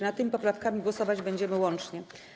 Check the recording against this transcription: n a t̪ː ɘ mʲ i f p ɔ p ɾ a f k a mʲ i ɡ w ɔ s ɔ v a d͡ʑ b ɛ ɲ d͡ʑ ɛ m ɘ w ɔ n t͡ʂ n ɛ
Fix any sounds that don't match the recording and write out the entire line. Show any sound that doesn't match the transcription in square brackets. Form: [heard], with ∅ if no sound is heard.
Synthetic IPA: n a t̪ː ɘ mʲ i [∅] p ɔ p ɾ a f k a mʲ i ɡ w ɔ s ɔ v a d͡ʑ b ɛ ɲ d͡ʑ ɛ m ɘ w ɔ n t͡ʂ [ɲ] ɛ